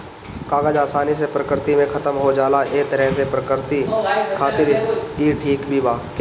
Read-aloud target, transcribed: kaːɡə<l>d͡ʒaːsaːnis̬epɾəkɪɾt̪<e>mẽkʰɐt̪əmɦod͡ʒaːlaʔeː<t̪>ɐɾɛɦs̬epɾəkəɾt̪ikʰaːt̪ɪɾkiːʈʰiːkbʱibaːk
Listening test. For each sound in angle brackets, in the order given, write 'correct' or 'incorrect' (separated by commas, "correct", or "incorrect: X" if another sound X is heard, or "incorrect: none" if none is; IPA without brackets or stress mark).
incorrect: none, incorrect: i, correct